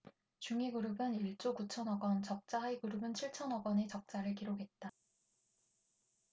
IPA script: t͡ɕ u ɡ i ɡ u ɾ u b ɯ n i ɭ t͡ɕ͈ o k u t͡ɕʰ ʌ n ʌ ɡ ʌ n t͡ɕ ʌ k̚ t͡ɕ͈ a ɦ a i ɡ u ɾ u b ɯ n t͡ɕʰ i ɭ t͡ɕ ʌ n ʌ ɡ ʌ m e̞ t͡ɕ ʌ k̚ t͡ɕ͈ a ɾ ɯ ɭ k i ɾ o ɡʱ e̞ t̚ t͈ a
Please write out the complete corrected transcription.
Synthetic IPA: t͡ɕ u ŋ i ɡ u ɾ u b ɯ n i ɭ t͡ɕ͈ o k u t͡ɕʰ ʌ n ʌ ɡ ʌ n t͡ɕ ʌ k̚ t͡ɕ͈ a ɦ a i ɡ u ɾ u b ɯ n t͡ɕʰ i ɭ t͡ɕʰ ʌ n ʌ ɡ ʌ n e̞ t͡ɕ ʌ k̚ t͡ɕ͈ a ɾ ɯ ɭ k i ɾ o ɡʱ e̞ t̚ t͈ a